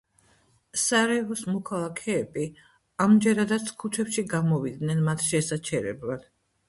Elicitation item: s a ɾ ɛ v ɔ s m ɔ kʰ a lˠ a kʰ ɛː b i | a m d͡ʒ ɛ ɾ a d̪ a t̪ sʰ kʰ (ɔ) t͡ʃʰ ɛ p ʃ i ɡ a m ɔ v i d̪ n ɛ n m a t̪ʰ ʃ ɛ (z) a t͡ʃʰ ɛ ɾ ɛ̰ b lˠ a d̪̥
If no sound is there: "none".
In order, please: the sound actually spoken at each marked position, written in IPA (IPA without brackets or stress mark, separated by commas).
u, s